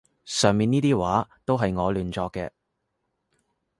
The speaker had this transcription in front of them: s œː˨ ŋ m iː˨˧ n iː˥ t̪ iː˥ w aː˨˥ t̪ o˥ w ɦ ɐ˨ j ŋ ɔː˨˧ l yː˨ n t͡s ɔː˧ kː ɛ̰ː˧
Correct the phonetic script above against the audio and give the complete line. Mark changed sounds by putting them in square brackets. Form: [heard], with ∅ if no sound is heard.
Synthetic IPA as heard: s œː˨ ŋ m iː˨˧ n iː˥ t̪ iː˥ w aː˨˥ t̪ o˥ w ɦ ɐ˨ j ŋ ɔː˨˧ l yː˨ n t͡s ɔː˧ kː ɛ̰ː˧